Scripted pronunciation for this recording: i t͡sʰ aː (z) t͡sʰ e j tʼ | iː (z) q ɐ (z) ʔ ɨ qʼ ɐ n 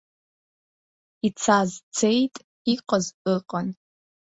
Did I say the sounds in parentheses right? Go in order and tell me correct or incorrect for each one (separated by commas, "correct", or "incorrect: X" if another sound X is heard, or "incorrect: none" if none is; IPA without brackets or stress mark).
correct, incorrect: none, correct